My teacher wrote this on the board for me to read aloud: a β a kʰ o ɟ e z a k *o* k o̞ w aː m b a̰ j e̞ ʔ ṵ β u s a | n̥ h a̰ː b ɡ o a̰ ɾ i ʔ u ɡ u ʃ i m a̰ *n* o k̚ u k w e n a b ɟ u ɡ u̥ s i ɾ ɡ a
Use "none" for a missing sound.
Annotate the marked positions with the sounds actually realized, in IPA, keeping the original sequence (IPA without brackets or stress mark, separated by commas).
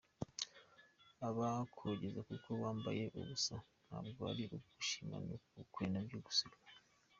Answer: u, n